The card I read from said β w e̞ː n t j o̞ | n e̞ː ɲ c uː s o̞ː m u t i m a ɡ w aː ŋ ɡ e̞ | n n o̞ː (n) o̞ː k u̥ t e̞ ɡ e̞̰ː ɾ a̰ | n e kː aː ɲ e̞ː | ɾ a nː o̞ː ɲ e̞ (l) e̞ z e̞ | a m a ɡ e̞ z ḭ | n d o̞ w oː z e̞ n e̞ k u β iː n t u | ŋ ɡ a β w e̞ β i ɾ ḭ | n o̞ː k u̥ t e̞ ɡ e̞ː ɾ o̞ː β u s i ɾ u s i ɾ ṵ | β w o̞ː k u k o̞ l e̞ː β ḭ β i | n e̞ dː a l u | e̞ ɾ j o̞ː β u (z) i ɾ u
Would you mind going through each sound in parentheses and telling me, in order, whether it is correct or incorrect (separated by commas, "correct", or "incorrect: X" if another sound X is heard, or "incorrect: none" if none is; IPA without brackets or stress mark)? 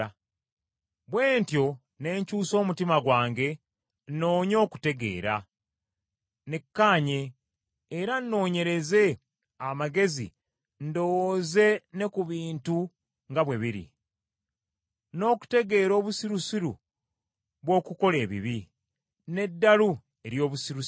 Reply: incorrect: ɲ, incorrect: ɾ, incorrect: s